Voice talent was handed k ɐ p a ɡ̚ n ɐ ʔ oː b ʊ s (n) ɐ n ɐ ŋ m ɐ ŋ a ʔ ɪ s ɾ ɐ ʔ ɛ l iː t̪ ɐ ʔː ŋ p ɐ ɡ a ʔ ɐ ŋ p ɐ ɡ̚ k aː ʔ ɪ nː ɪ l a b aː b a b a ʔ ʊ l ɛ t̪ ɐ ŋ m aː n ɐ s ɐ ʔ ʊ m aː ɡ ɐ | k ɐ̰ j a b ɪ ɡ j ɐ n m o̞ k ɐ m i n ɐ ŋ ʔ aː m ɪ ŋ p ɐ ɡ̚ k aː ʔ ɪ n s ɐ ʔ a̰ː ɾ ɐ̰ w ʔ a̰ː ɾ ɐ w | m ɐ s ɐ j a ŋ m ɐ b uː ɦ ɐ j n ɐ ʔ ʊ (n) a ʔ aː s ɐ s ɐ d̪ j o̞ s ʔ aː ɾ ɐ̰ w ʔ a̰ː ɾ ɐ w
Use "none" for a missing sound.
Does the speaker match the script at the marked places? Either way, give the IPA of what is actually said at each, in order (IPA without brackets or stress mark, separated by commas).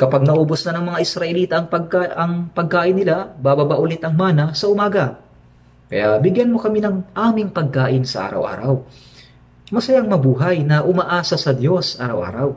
n, m